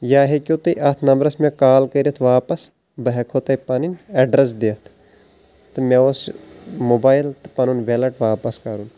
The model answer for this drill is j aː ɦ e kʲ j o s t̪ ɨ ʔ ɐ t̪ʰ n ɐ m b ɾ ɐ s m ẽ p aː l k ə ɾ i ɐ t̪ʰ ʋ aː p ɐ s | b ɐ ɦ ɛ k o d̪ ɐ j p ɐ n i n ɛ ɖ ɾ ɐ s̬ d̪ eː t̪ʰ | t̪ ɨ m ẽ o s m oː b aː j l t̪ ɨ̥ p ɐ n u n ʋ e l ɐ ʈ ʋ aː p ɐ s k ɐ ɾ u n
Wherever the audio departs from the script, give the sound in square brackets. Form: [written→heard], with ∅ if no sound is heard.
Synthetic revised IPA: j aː ɦ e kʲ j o [s→∅] t̪ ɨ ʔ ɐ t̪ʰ n ɐ m b ɾ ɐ s m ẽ [p→k] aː l k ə ɾ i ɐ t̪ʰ ʋ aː p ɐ s | b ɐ ɦ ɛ [k→kʰ] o [d̪→t̪] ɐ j p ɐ n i n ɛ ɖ ɾ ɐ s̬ d̪ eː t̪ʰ | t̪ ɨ m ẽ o s m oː b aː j l t̪ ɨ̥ p ɐ n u n ʋ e l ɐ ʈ ʋ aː p ɐ s k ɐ ɾ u n